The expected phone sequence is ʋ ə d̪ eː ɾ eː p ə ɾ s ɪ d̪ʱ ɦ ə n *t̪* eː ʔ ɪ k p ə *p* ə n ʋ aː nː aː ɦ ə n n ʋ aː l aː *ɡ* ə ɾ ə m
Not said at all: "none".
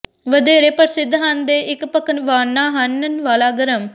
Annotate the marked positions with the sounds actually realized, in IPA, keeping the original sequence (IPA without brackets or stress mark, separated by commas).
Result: d̪, k, ɡ